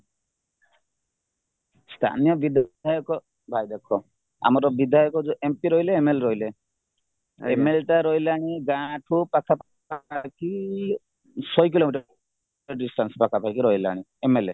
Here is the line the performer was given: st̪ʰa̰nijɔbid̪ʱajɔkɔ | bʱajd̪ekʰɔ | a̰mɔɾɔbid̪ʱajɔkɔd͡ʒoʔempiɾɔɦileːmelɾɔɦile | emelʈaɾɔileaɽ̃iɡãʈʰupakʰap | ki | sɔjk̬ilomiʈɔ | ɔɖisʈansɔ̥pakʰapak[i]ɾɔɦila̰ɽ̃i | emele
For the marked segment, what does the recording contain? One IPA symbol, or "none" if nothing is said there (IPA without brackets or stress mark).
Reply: i